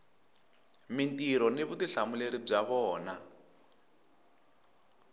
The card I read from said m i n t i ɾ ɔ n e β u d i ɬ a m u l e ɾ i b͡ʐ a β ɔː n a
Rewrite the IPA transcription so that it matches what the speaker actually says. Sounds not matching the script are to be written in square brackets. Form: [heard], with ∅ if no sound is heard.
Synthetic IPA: m i n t i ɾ ɔ n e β u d i ɬ a m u l e ɾ i b͡ʐ a β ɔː n a